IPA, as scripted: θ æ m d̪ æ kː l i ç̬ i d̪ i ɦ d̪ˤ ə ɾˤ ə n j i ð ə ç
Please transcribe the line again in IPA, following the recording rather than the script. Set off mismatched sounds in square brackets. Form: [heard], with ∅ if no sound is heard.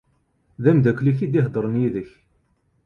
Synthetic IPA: [ð] æ m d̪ æ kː l i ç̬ i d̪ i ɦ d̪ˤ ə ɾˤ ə n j i ð ə ç

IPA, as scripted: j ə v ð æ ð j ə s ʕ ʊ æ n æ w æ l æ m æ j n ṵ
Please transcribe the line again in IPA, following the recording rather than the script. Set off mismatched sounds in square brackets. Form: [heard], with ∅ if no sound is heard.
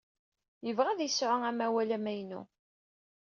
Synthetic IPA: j ə v [ʁ] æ ð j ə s ʕ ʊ æ [m] æ w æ l æ m æ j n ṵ

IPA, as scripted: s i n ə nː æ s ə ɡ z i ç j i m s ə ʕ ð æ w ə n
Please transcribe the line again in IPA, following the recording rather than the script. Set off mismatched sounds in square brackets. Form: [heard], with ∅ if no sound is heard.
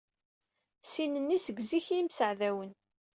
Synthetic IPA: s i n ə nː [i] s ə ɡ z i ç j i m s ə ʕ ð æ w ə n

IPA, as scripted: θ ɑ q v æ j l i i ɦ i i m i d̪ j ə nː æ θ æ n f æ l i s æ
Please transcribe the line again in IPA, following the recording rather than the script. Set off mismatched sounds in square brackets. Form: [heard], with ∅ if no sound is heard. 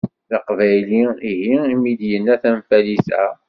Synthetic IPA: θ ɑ q v æ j l i i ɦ i i m i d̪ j ə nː æ θ æ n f æ l i s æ

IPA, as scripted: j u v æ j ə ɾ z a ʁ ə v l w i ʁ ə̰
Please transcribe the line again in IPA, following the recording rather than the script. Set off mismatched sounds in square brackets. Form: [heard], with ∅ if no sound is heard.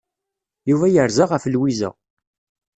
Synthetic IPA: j u v æ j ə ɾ z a ʁ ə [f] l w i [z] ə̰

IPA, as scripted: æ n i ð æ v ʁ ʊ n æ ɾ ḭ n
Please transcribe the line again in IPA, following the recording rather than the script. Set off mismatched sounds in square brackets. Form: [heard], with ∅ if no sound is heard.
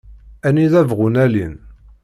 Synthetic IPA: æ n i ð æ v ʁ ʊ n æ [l] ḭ n

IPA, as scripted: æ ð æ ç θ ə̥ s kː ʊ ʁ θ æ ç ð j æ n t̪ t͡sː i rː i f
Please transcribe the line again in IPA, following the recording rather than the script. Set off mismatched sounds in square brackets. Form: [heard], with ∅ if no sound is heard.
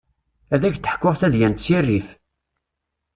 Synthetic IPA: æ ð æ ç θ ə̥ [ħ] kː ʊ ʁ θ æ [∅] ð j æ n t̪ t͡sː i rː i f

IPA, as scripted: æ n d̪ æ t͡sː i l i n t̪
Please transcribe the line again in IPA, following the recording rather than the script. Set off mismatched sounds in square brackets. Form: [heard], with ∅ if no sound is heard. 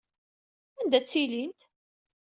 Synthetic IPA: æ n d̪ æ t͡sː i l i n t̪

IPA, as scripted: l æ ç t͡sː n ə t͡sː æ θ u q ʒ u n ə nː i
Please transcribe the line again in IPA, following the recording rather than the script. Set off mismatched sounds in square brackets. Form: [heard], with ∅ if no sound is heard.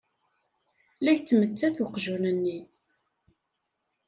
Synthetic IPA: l æ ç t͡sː [m] ə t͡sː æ θ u q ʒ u n ə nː i

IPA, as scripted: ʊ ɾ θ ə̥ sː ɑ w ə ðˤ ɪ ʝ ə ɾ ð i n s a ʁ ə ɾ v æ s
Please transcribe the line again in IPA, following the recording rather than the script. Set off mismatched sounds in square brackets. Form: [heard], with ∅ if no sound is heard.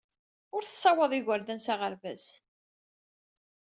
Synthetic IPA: ʊ ɾ θ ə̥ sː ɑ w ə ðˤ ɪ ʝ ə ɾ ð [æ] n s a ʁ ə ɾ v æ s

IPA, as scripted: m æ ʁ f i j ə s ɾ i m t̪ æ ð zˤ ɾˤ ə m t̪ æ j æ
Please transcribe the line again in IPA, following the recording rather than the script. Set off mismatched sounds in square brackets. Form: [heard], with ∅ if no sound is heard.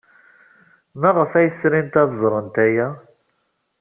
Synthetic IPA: m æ ʁ f [æ] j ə s ɾ i [n] t̪ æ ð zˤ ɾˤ ə [n] t̪ æ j æ

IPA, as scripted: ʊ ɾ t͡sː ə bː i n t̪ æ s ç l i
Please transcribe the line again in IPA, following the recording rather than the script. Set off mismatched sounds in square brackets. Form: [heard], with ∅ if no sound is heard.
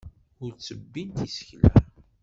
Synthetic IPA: ʊ ɾ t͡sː ə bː i n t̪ [i] s ç l [æ]

